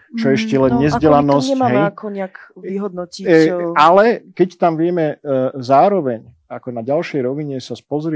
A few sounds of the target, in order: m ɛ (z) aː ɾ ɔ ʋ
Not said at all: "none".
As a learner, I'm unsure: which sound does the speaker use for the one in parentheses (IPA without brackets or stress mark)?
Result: z